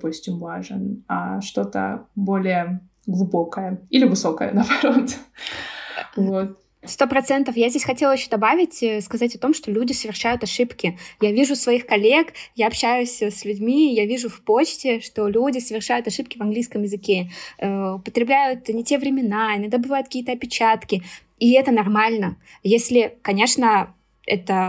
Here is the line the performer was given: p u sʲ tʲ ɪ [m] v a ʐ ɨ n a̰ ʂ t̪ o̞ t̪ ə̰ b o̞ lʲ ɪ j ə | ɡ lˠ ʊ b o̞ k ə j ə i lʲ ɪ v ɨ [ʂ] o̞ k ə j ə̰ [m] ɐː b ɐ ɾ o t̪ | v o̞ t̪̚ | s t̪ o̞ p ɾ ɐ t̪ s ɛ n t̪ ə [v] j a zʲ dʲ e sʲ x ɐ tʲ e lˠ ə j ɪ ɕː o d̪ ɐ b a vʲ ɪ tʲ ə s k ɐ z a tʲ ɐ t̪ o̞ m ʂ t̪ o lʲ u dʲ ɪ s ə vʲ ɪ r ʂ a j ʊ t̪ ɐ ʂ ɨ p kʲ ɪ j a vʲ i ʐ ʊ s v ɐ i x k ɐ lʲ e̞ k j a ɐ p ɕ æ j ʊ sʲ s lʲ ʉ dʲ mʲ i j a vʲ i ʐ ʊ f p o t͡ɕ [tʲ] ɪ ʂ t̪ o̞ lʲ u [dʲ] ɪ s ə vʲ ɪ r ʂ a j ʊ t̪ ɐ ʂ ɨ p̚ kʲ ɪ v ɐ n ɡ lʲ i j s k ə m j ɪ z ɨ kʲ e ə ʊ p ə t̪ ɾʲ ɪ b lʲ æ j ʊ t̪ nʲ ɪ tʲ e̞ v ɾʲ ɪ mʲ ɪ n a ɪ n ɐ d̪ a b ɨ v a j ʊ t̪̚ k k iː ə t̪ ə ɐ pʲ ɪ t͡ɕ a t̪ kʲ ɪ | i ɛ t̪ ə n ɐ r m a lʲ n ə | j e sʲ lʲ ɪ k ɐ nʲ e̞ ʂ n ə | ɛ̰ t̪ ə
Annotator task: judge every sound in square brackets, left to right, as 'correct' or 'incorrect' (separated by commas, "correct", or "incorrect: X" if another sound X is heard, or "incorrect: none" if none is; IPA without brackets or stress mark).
correct, incorrect: s, incorrect: n, incorrect: f, correct, correct